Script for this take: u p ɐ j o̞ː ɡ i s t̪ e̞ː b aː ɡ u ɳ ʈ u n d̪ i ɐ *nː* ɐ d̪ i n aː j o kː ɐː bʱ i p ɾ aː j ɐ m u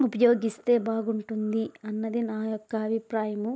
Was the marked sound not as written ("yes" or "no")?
no